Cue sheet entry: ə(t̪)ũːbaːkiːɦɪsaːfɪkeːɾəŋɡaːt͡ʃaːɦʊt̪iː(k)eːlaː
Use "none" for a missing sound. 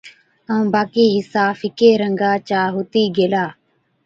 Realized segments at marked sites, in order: none, ɡ

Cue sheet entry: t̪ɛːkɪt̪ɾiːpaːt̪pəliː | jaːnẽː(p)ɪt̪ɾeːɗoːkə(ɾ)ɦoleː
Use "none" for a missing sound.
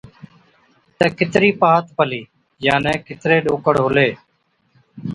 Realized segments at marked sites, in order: k, ɽ

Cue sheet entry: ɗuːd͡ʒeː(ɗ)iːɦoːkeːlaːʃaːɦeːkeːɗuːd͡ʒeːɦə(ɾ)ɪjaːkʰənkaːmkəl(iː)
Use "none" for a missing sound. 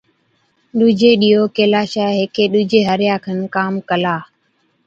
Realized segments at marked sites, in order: ɗ, ɾ, aː

